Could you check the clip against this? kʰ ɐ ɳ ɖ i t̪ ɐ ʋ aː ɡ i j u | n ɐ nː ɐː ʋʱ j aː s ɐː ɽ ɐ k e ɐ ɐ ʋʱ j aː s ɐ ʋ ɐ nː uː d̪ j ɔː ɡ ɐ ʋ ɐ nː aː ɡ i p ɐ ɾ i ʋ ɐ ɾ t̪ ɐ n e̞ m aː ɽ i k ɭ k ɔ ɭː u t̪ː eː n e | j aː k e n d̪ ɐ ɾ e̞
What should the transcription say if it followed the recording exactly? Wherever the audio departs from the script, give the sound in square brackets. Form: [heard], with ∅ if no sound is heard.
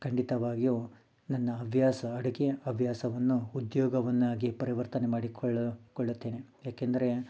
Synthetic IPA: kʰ ɐ ɳ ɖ i t̪ ɐ ʋ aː ɡ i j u | n ɐ nː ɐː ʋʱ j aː s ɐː ɽ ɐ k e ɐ ɐ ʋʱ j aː s ɐ ʋ ɐ nː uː d̪ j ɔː ɡ ɐ ʋ ɐ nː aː ɡ i p ɐ ɾ i ʋ ɐ ɾ t̪ ɐ n e̞ m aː ɽ i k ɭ k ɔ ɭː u t̪ː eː n e | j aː k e n d̪ ɐ ɾ e̞